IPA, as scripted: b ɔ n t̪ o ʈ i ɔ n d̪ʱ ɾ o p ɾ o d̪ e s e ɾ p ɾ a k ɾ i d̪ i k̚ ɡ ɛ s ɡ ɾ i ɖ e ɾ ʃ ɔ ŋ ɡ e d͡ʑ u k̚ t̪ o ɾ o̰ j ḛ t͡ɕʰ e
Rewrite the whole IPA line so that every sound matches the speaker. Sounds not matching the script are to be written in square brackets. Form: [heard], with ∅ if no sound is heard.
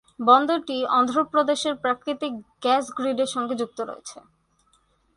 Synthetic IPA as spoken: b ɔ n [d̪] o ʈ i ɔ n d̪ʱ ɾ o p ɾ o d̪ e [ʃ] e ɾ p ɾ a k ɾ i [t̪] i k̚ ɡ ɛ s ɡ ɾ i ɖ e ɾ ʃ ɔ ŋ ɡ e d͡ʑ u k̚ t̪ o ɾ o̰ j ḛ t͡ɕʰ e